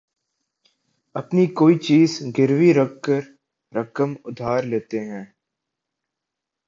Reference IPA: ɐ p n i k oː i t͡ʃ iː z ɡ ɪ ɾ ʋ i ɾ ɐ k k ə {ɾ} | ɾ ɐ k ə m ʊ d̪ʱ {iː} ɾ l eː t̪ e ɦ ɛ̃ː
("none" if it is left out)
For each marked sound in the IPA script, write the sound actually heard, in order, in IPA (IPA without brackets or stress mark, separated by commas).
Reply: ɾ, aː